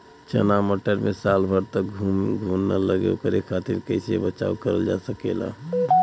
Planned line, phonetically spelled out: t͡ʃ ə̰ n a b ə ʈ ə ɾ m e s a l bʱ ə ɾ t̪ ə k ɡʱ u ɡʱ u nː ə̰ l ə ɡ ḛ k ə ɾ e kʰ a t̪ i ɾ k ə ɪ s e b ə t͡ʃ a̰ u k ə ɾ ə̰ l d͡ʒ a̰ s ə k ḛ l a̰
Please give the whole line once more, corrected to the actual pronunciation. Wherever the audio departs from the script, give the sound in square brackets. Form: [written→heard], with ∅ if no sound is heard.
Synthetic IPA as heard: t͡ʃ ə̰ n a [b→m] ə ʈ ə ɾ m e s a l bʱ ə ɾ t̪ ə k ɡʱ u ɡʱ u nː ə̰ l ə ɡ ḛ k ə ɾ e kʰ a t̪ i ɾ k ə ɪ s e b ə t͡ʃ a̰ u k ə ɾ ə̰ l d͡ʒ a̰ s ə k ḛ l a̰